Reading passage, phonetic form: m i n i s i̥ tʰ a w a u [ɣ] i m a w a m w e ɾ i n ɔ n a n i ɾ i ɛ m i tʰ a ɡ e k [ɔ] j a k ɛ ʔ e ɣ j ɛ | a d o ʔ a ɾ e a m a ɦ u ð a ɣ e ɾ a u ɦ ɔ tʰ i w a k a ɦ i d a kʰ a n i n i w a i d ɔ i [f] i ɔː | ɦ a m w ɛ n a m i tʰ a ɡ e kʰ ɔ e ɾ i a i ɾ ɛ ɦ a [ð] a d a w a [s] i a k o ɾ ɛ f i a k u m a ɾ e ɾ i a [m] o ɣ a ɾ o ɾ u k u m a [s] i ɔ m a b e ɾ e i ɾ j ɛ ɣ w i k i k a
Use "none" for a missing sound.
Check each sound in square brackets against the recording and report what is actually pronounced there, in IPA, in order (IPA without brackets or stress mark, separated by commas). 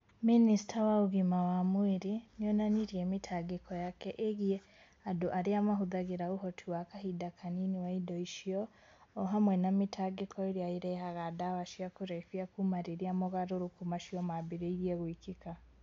ɣ, ɔ, ʃ, ɣ, ʃ, m, ʃ